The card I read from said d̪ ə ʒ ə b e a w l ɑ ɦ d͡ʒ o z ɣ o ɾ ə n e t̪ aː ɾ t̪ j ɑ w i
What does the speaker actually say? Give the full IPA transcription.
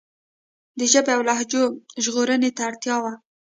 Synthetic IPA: d̪ ə ʒ ə b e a w l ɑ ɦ d͡ʒ o ʒ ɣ o ɾ ə n e t̪ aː ɽ t̪ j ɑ w a